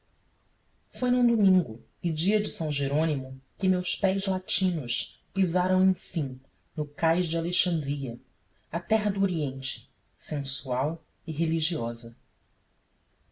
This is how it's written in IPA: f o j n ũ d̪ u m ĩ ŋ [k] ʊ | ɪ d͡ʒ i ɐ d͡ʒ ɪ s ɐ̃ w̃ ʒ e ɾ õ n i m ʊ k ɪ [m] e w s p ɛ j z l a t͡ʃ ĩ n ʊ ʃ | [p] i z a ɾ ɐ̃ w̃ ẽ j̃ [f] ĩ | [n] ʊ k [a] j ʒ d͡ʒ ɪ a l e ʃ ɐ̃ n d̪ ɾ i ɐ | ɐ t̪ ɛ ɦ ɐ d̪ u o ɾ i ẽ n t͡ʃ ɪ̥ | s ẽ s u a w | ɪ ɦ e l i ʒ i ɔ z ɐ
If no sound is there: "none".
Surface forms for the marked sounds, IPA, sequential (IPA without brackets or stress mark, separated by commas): ɡ, m, p, f, n, a